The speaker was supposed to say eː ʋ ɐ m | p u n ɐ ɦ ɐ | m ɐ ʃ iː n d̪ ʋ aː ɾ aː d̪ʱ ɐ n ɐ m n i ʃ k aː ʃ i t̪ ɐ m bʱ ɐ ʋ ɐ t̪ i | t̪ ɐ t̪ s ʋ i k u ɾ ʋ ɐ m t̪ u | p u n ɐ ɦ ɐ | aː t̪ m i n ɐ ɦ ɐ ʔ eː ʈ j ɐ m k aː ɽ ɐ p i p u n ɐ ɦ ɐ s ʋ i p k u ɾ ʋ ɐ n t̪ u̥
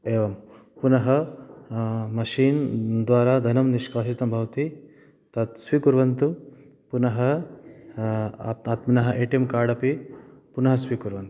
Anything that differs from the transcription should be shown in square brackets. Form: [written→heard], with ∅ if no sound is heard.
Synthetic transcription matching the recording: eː ʋ ɐ m | p u n ɐ ɦ ɐ | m ɐ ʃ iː n d̪ ʋ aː ɾ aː d̪ʱ ɐ n ɐ m n i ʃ k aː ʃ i t̪ ɐ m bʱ ɐ ʋ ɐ t̪ i | t̪ ɐ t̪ s ʋ i k u ɾ ʋ ɐ [m→n] t̪ u | p u n ɐ ɦ ɐ | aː t̪ m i n ɐ ɦ ɐ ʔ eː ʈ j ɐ m k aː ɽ ɐ p i p u n ɐ ɦ ɐ s ʋ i [p→∅] k u ɾ ʋ ɐ n t̪ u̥